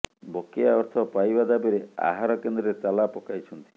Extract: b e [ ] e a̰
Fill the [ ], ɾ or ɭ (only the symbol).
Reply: ɾ